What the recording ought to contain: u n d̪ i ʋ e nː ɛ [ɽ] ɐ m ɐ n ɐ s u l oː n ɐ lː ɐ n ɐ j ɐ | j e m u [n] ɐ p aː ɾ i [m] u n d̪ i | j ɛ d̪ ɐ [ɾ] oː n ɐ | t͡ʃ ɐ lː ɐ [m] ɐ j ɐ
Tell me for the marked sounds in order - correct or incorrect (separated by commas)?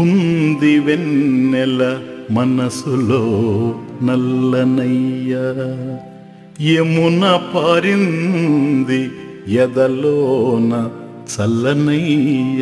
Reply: incorrect, correct, incorrect, incorrect, incorrect